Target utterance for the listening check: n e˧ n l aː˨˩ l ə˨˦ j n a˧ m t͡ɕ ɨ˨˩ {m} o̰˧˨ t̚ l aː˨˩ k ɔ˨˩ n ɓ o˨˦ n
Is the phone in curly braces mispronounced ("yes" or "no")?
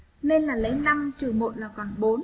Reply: no